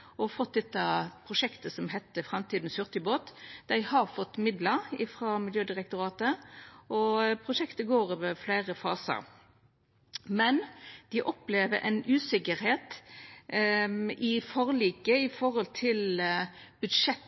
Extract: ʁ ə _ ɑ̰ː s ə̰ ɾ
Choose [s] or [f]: f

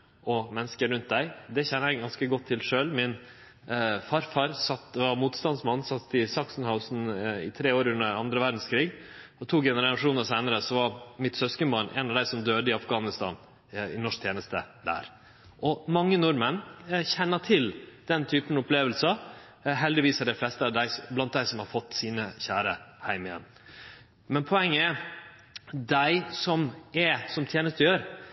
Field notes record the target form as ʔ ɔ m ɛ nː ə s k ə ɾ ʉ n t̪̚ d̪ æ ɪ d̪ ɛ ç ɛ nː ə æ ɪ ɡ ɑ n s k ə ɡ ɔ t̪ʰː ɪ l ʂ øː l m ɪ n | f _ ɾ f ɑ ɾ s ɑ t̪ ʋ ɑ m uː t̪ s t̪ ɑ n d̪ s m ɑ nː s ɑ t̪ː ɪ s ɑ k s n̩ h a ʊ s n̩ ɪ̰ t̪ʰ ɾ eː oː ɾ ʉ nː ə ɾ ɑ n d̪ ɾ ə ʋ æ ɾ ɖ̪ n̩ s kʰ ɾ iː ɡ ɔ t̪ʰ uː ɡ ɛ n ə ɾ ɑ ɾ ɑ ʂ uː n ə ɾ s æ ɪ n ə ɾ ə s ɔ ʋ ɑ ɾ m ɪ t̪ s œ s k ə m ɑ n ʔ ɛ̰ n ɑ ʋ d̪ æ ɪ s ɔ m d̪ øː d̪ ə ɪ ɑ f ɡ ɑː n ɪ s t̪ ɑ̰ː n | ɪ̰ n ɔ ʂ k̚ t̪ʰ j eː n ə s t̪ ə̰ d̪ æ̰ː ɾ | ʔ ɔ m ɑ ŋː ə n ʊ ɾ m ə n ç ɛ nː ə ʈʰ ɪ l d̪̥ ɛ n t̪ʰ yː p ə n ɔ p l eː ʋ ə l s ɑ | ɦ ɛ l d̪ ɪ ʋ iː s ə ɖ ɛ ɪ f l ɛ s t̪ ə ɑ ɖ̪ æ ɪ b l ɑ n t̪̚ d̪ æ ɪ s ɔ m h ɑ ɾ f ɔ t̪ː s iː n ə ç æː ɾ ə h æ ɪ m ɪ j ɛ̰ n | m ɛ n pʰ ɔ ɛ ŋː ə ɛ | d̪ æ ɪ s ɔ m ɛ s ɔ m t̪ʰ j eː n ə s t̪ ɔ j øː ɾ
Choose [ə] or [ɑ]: ɑ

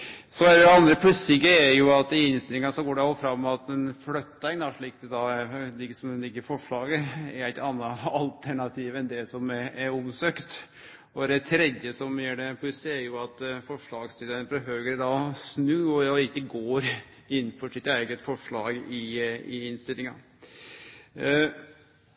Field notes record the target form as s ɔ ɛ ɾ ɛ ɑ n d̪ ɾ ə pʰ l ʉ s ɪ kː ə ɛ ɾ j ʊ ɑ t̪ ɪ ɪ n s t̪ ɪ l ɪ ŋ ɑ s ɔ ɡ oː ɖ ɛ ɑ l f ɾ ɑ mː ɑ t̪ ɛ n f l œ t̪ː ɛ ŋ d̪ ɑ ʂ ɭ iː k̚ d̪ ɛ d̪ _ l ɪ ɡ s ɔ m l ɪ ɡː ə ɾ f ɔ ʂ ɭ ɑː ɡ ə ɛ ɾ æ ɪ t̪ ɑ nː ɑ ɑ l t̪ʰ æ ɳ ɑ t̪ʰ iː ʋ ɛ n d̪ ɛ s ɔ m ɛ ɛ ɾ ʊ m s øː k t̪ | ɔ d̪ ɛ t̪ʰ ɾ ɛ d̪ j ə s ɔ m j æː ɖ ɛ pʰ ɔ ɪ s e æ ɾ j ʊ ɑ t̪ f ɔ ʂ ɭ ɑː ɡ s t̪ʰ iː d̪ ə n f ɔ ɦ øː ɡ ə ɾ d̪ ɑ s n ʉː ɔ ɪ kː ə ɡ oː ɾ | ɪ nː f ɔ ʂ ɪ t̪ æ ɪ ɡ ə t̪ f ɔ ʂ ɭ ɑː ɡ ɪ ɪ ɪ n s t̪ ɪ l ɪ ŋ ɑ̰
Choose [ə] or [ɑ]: ɑ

